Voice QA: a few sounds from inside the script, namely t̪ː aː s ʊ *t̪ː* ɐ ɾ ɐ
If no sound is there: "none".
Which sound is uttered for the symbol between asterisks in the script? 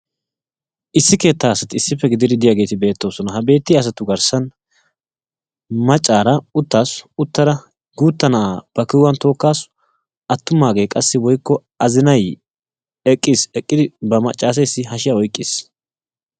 t̪ː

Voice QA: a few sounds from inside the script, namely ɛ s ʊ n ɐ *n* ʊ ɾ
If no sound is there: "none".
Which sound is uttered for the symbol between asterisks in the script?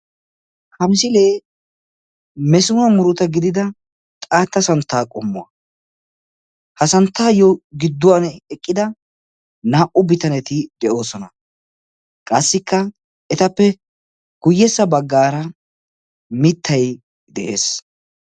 m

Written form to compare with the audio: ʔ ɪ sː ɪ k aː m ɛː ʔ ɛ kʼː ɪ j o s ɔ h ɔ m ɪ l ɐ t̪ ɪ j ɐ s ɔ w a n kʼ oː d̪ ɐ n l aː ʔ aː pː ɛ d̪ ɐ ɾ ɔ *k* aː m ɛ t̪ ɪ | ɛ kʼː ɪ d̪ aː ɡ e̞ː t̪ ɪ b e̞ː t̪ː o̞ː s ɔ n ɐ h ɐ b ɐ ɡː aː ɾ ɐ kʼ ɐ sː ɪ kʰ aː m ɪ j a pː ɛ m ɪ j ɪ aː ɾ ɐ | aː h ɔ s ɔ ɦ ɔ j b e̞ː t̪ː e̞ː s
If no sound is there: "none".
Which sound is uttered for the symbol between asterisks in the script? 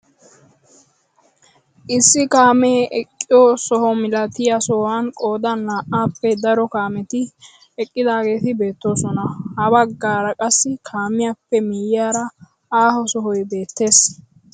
k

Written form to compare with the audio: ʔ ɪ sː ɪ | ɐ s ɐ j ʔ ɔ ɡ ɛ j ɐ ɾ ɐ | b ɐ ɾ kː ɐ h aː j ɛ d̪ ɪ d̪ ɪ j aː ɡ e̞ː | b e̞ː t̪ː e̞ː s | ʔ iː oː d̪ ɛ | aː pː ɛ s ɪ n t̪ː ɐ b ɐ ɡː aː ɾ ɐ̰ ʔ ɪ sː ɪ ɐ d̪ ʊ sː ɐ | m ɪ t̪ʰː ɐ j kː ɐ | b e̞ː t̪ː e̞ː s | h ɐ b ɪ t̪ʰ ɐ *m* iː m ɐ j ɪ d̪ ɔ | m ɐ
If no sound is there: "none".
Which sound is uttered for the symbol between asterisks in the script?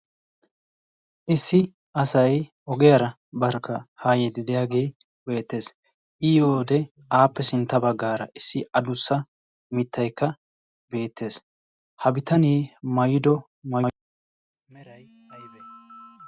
n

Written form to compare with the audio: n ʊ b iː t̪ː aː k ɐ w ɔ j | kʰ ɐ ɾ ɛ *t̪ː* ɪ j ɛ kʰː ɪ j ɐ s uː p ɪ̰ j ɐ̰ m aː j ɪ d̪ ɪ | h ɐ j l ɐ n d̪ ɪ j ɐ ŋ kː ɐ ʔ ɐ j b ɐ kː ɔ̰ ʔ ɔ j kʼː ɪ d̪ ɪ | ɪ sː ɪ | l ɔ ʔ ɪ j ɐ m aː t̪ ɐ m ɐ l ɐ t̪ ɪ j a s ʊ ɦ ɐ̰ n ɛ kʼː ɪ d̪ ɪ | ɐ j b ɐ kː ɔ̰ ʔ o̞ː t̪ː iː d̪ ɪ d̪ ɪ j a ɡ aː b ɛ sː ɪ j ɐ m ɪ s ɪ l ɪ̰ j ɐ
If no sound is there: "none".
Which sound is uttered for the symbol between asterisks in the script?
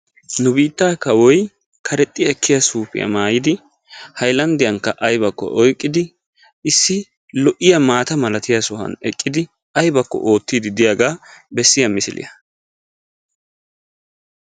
t̪ʼː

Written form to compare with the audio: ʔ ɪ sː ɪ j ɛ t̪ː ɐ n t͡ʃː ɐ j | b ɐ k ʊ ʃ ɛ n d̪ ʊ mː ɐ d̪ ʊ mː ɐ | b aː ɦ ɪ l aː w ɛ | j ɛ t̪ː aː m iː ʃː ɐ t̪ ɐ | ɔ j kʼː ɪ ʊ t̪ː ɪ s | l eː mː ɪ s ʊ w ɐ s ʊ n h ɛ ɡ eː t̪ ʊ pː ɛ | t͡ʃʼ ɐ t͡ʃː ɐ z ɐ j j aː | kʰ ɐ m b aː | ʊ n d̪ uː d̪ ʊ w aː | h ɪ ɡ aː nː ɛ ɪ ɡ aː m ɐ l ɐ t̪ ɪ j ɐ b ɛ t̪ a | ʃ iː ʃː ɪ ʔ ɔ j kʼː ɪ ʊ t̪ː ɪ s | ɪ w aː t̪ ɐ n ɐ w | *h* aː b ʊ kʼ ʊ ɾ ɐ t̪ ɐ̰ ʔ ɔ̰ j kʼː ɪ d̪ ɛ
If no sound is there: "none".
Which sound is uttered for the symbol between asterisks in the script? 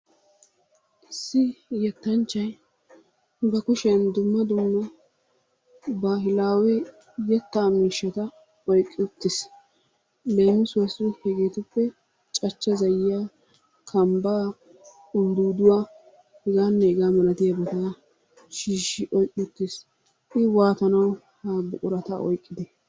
h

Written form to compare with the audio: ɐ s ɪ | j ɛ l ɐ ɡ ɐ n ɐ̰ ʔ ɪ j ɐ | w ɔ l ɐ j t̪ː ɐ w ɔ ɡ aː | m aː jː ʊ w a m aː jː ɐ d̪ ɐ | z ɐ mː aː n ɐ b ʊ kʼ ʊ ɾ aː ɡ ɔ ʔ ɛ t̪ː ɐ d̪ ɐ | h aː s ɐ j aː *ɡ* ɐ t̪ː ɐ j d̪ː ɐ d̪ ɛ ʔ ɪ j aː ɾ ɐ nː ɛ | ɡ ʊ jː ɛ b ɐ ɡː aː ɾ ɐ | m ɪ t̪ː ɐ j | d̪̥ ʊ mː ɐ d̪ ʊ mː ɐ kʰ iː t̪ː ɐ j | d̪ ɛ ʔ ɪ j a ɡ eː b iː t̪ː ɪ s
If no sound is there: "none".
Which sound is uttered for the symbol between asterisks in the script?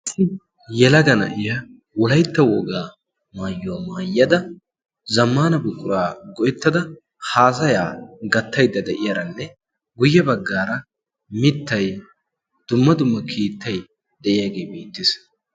ɡ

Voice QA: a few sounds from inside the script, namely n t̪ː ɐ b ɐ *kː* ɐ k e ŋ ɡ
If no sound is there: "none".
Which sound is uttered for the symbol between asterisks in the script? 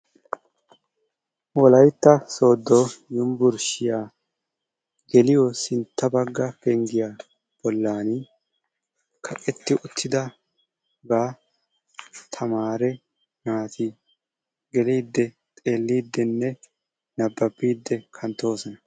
ɡː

